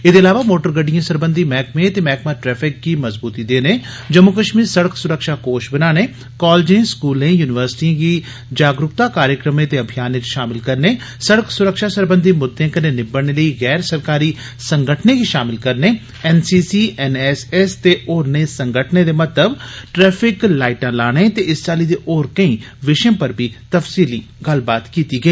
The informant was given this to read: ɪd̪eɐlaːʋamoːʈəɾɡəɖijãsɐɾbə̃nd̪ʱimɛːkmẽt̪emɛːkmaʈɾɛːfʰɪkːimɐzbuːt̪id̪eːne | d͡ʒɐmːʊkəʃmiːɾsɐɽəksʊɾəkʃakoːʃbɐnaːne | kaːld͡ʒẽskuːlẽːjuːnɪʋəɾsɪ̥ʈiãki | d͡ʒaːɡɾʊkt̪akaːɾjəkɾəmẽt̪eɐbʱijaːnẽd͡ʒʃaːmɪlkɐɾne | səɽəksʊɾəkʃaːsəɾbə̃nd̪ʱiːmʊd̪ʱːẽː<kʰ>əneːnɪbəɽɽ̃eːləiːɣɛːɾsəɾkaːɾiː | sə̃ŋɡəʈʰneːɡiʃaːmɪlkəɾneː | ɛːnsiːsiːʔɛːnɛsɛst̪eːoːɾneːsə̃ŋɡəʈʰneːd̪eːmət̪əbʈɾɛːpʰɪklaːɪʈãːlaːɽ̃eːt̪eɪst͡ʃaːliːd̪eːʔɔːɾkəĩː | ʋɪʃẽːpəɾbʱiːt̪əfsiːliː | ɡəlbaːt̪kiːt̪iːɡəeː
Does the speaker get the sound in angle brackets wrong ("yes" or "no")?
yes